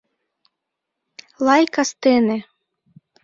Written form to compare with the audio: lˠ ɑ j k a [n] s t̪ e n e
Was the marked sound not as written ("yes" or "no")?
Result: yes